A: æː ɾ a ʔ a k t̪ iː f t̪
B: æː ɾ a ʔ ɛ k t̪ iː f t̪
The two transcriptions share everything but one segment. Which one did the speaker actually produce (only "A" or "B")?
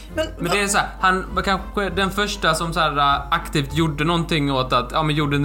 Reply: A